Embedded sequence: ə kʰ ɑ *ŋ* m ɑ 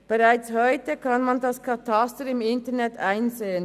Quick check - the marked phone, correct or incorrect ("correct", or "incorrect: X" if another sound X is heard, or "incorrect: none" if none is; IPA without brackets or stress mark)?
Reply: incorrect: n